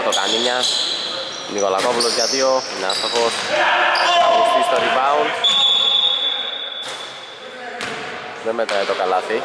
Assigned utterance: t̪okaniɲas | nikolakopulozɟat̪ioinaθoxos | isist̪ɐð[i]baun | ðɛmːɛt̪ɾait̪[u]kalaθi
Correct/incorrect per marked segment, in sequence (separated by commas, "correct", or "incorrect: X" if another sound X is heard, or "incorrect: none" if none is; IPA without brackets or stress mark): correct, incorrect: o